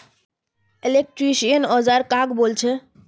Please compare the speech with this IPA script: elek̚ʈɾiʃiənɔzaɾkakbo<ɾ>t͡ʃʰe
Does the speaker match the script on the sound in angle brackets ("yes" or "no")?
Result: no